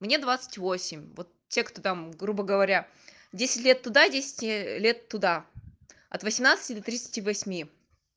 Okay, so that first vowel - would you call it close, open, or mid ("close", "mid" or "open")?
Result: mid